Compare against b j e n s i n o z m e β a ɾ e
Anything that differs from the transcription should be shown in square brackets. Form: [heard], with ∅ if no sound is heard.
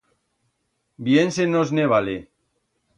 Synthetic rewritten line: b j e n s [e] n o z [n] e β a [l] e